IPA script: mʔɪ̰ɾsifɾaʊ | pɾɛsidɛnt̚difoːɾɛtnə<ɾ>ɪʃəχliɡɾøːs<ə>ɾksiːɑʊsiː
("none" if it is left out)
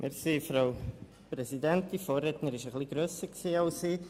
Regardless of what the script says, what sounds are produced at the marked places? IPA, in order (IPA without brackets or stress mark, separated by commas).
ɾ, ə